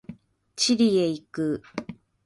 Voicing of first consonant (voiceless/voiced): voiceless